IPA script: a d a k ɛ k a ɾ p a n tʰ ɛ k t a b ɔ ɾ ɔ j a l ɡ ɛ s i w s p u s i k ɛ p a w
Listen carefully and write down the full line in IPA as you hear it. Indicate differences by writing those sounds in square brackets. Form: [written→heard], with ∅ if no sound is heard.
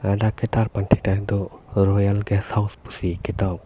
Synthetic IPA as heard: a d a k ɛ [k→t] a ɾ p a n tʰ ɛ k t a [b→d] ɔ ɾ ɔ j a l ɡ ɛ s [i→a] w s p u s i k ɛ [p→t] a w